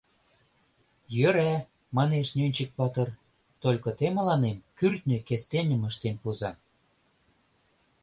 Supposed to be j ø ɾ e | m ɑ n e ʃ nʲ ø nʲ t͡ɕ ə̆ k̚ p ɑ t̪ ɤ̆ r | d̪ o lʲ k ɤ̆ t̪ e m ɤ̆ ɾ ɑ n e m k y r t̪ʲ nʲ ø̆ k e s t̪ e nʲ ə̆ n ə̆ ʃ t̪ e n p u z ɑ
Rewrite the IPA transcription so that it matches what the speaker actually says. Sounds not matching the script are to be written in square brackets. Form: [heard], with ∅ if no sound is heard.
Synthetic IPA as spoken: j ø ɾ [æ] | m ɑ n e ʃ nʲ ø nʲ t͡ɕ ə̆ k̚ p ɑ t̪ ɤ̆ r | [t̪] o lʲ k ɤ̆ t̪ e m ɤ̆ [l] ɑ n e m k y r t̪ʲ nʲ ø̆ k e s t̪ e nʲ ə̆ [m] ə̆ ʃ t̪ e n p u z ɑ